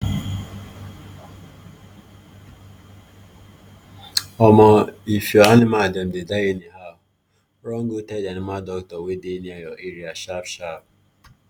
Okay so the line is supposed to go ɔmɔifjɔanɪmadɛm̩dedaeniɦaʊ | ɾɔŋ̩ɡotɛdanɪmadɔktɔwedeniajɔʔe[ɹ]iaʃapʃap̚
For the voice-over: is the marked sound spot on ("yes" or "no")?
no